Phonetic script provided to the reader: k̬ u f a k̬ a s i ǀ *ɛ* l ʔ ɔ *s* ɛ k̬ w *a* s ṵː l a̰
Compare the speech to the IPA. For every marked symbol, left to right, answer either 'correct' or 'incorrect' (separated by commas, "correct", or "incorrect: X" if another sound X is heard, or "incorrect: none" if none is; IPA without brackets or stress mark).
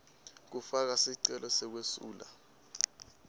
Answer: correct, correct, incorrect: e